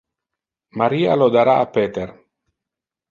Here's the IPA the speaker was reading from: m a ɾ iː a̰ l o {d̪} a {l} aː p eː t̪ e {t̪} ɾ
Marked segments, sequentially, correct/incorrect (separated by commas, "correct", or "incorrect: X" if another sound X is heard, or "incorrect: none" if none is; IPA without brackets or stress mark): correct, incorrect: ɾ, incorrect: none